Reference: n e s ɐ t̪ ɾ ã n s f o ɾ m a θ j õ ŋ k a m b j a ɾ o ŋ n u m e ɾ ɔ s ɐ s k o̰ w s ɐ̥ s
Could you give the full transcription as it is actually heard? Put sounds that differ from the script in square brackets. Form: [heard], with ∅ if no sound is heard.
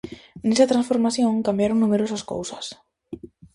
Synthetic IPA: n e s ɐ t̪ ɾ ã n s f o ɾ m a θ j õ ŋ k a m b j a ɾ o ŋ n u m e ɾ [o] s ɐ s k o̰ w s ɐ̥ s